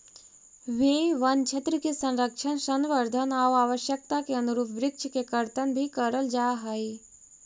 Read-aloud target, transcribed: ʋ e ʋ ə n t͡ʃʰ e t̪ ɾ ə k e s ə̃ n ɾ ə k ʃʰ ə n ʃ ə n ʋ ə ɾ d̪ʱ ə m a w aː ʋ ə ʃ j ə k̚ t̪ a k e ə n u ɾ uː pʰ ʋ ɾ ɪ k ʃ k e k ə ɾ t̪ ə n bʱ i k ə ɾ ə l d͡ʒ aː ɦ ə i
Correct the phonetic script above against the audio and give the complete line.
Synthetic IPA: ʋ e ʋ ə n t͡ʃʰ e t̪ ɾ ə k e s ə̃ n ɾ ə k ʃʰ ə n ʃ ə n ʋ ə ɾ d̪ʱ ə n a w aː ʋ ə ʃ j ə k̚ t̪ a k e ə n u ɾ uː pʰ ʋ ɾ ɪ k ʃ k e k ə ɾ t̪ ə n bʱ i k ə ɾ ə l d͡ʒ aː ɦ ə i